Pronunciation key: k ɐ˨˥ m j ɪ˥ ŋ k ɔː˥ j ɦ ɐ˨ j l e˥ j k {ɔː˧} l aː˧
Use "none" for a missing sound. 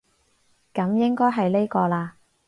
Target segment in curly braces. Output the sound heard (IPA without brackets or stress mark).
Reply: ɔː˧